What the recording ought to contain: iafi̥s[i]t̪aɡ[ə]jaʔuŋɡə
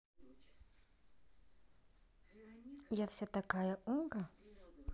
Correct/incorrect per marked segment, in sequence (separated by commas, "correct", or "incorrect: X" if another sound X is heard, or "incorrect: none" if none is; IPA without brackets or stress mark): incorrect: a, incorrect: a